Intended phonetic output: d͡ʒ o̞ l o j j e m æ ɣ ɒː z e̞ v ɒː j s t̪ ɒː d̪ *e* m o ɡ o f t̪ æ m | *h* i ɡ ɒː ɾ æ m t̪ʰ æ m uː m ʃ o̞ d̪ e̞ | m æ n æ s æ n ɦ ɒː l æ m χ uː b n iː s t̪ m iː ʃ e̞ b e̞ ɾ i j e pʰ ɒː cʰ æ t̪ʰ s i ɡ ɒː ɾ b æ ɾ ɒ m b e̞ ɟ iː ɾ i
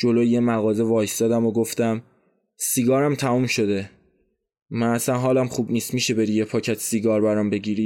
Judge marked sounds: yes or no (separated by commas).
no, no